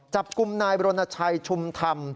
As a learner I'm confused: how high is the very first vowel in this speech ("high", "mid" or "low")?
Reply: low